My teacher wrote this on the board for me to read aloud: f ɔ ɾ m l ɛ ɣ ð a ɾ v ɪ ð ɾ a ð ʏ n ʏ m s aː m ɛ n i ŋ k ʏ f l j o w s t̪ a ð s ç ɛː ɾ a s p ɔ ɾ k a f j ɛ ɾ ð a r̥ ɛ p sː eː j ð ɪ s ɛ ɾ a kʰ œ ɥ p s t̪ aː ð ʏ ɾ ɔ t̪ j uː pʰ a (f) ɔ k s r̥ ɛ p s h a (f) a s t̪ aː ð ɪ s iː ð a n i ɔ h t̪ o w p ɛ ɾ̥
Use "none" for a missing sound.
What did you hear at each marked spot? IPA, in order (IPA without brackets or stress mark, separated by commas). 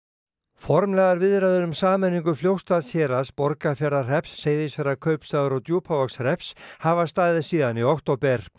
v, v